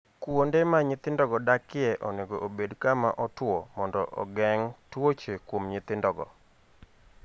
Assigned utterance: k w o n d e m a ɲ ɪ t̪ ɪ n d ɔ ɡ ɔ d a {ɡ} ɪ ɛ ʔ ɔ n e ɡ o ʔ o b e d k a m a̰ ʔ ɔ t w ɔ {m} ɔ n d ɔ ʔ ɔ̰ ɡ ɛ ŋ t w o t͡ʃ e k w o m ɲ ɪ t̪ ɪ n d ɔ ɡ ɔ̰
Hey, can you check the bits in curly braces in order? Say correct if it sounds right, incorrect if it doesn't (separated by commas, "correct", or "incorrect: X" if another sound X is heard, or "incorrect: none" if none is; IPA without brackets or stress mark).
incorrect: k, correct